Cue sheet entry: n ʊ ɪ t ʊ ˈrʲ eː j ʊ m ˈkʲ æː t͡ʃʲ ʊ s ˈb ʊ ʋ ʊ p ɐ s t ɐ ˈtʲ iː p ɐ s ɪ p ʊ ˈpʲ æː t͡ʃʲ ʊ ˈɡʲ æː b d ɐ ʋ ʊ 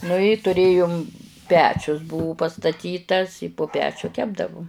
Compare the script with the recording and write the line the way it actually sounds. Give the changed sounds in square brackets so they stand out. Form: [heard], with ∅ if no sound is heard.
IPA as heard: n ʊ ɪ t ʊ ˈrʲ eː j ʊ m [ˈpʲ] æː t͡ʃʲ ʊ s ˈb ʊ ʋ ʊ p ɐ s t ɐ ˈtʲ iː [t] ɐ s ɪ p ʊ ˈpʲ æː t͡ʃʲ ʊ [ˈkʲ] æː b d ɐ ʋ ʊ